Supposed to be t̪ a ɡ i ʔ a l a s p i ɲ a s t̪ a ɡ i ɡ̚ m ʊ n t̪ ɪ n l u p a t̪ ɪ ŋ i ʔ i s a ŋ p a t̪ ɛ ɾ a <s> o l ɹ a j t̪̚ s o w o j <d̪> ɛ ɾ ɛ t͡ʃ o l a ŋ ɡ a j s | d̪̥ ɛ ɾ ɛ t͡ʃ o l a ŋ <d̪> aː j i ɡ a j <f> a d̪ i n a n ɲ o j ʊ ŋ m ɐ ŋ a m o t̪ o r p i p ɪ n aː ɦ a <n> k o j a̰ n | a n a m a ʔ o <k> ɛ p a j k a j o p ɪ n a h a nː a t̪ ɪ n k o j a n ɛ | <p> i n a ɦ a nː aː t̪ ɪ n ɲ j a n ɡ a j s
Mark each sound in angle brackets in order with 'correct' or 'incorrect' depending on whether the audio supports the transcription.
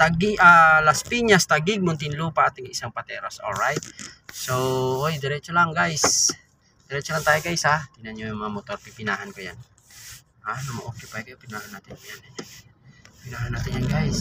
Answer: correct, correct, incorrect: t̪, incorrect: s, correct, correct, correct

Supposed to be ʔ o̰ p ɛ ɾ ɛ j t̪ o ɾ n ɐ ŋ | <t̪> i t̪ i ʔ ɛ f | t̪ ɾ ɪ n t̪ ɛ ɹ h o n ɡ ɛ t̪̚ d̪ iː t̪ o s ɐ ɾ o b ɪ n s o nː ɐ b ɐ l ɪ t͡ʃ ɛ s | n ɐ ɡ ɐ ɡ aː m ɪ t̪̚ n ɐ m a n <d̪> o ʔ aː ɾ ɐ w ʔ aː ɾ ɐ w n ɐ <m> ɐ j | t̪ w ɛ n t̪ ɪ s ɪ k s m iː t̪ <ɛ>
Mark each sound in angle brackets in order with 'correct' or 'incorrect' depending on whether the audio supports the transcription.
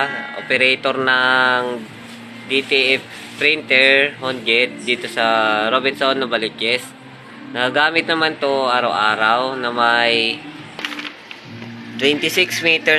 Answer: incorrect: d̪, incorrect: t̪, correct, correct

